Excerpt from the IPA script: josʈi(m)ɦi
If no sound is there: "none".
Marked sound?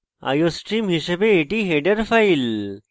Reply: m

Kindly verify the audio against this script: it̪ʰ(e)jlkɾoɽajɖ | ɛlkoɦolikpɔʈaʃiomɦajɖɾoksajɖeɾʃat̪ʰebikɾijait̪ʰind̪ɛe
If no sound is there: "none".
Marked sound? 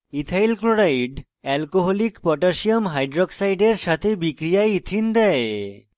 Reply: a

